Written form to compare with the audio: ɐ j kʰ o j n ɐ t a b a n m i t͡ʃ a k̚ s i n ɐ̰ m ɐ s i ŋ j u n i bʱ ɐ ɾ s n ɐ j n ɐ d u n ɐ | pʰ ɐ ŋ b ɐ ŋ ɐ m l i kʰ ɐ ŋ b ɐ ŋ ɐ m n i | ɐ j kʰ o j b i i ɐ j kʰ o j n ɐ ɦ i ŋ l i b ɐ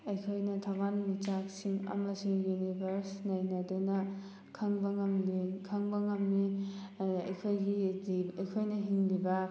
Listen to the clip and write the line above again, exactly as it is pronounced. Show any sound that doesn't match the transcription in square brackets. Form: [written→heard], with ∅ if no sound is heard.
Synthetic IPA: ɐ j kʰ o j n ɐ [t→tʰ] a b a n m i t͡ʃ a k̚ s i [n→ŋ] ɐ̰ m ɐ s i ŋ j u n i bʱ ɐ ɾ s n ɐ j n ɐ d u n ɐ | [pʰ→kʰ] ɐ ŋ b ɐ ŋ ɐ m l i kʰ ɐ ŋ b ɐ ŋ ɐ m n i | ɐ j kʰ o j [b→ɡ] i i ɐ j kʰ o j n ɐ ɦ i ŋ l i b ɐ